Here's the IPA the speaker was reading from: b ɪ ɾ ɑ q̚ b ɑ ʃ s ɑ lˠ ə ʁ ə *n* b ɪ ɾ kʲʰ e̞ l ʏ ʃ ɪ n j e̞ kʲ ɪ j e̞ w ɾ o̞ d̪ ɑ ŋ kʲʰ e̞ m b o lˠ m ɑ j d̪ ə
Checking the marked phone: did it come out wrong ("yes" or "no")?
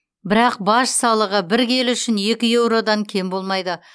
yes